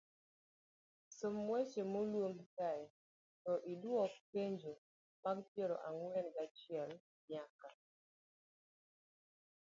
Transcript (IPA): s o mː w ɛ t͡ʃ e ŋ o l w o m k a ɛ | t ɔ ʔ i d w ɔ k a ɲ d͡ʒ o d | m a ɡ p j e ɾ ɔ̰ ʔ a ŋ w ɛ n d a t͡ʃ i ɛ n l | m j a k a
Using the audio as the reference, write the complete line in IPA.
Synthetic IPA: s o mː w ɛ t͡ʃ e m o l w o m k a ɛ | t ɔ ʔ i d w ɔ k e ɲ d͡ʒ o | m a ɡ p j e ɾ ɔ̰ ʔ a ŋ w ɛ n ɡ a t͡ʃ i ɛ l | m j a k a

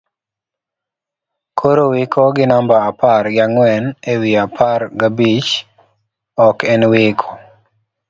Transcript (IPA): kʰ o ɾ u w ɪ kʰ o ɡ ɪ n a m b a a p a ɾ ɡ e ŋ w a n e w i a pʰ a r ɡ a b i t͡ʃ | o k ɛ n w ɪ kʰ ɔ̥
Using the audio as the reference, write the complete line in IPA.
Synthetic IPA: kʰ o ɾ o w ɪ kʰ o ɡ ɪ n a m b a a p a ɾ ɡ a ŋ w ɛ n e w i a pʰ a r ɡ a b i t͡ʃ | ɔ k ɛ n w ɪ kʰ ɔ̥

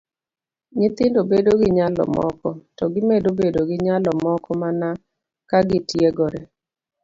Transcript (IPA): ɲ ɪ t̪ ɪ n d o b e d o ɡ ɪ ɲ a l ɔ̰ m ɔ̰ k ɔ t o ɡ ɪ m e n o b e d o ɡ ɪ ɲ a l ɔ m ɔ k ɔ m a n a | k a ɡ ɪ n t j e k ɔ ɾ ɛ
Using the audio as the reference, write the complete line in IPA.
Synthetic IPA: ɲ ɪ t̪ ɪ n d o b e d o ɡ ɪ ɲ a l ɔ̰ m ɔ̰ k ɔ t ɔ ɡ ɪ m e d o b e d o ɡ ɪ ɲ a l ɔ m ɔ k ɔ m a n a | k a ɡ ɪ t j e ɡ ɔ ɾ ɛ

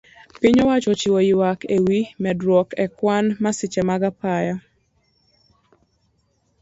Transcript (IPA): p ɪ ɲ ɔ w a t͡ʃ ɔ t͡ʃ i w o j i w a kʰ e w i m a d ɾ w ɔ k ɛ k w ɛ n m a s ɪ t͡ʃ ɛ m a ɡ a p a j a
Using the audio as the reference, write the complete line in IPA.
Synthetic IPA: p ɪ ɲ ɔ w a t͡ʃ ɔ t͡ʃ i w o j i w a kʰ e w i m ɛ d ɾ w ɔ k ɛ k w a n m a s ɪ t͡ʃ ɛ m a ɡ a p a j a

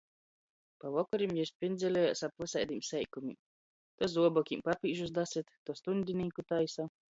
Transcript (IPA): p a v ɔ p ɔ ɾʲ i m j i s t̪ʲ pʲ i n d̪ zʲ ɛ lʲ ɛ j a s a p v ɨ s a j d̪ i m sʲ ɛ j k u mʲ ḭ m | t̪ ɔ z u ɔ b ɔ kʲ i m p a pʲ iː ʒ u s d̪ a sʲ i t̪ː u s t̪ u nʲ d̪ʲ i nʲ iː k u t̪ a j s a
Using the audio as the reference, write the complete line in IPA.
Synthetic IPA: p a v ɔ k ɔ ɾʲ i m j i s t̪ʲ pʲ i n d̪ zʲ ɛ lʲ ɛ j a s a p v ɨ s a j d̪ i m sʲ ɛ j k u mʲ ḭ m | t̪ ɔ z u ɔ b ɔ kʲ i m p a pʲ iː ʒ u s d̪ a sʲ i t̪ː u s t̪ u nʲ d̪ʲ i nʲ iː k u t̪ a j s a

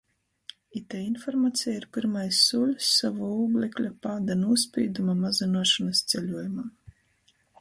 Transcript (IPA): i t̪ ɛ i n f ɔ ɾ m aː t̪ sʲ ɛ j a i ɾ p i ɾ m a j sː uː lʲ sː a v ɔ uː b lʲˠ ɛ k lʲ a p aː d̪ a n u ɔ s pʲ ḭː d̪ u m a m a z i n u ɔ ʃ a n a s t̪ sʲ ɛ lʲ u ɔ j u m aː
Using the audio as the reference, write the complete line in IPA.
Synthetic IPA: i t̪ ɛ i n f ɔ ɾ m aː t̪ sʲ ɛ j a i ɾ p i ɾ m a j sː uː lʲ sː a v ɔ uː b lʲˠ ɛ k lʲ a p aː d̪ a n u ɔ s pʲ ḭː d̪ u m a m a z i n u ɔ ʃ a n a s t̪ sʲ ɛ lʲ u ɔ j u m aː

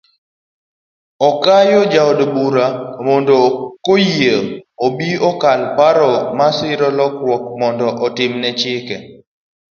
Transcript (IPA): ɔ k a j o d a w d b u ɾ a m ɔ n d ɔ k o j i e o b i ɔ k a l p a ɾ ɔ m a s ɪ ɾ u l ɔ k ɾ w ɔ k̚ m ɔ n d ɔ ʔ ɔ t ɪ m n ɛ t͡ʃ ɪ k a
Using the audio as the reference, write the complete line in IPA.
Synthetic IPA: ɔ k a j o d͡ʒ a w d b u ɾ a m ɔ n d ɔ k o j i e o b i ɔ k a l p a ɾ ɔ m a s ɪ ɾ ɔ l ɔ k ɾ w ɔ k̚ m ɔ n d ɔ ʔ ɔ t ɪ m n ɛ t͡ʃ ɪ k ɛ

